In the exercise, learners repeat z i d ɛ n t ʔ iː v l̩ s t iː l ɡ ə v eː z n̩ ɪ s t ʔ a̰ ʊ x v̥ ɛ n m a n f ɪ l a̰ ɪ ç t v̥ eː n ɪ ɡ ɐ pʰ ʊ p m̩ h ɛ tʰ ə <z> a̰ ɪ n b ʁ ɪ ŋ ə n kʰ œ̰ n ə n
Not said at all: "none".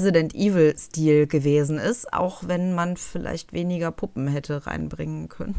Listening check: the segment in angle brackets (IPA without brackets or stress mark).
ʁ